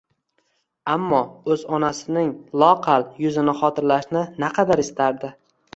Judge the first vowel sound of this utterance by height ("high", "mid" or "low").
low